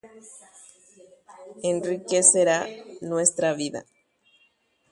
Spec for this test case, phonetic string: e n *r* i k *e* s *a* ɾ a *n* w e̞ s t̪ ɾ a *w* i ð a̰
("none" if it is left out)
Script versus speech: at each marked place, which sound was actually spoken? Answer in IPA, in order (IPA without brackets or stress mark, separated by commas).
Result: r, e, e, n, β